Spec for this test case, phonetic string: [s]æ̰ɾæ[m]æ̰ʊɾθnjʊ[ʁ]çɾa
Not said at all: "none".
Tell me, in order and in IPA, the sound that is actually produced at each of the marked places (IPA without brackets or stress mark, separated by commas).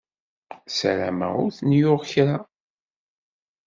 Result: s, m, ʁ